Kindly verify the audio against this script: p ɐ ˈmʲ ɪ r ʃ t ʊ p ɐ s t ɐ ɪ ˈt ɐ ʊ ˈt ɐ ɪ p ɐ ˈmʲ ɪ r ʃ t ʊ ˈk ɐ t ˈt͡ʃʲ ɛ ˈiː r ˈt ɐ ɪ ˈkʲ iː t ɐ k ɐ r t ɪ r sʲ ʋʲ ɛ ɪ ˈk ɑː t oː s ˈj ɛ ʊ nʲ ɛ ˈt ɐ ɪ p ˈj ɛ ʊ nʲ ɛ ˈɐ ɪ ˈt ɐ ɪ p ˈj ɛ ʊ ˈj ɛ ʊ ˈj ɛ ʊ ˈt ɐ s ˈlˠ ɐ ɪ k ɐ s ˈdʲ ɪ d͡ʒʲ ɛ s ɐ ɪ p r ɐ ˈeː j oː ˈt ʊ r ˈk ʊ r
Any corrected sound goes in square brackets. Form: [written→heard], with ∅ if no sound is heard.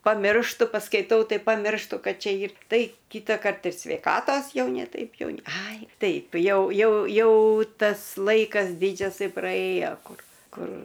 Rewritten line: p ɐ ˈmʲ ɪ r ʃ t ʊ p ɐ s [t→k] ɐ ɪ ˈt ɐ ʊ ˈt ɐ ɪ p ɐ ˈmʲ ɪ r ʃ t ʊ ˈk ɐ t ˈt͡ʃʲ ɛ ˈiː r ˈt ɐ ɪ ˈkʲ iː t ɐ k ɐ r t ɪ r sʲ ʋʲ ɛ ɪ ˈk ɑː t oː s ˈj ɛ ʊ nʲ ɛ ˈt ɐ ɪ p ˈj ɛ ʊ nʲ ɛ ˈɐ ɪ ˈt ɐ ɪ p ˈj ɛ ʊ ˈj ɛ ʊ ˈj ɛ ʊ ˈt ɐ s ˈlˠ ɐ ɪ k ɐ s ˈdʲ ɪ d͡ʒʲ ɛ s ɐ ɪ p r ɐ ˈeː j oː [ˈt→ˈk] ʊ r ˈk ʊ r